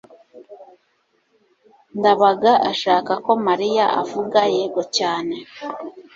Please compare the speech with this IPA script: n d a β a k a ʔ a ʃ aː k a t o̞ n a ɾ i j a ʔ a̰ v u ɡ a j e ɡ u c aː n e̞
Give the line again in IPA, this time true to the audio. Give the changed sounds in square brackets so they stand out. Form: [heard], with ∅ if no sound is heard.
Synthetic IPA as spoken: n d a β a [ɡ] a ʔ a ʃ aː k a [k] o̞ [m] a ɾ i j a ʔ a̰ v u ɡ a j e ɡ [o] c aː n e̞